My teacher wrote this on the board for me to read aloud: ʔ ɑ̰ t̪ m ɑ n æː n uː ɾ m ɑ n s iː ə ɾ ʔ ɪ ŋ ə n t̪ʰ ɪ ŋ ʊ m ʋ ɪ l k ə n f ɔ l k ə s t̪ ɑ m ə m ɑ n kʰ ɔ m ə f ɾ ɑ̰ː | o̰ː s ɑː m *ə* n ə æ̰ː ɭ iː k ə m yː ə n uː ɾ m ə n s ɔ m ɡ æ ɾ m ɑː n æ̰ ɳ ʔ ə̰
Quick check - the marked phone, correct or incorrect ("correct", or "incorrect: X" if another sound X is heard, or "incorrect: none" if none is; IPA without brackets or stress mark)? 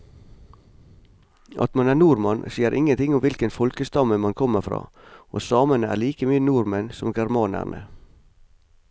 correct